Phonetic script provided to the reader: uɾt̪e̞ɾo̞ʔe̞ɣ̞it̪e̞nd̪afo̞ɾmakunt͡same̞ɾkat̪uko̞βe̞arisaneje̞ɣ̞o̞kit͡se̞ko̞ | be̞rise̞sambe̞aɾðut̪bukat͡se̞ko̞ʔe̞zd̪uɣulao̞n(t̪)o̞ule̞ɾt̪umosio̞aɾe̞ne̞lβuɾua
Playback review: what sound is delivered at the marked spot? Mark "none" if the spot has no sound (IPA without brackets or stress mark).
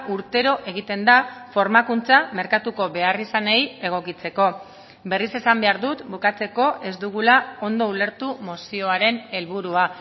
d̪